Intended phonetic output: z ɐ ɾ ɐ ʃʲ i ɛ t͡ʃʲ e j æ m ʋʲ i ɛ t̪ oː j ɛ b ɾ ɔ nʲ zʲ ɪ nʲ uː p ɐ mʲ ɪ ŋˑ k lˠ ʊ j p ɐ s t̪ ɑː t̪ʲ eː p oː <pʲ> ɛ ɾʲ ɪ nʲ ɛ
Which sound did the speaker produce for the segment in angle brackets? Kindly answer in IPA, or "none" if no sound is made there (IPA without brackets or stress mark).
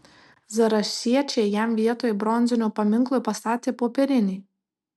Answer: pʲ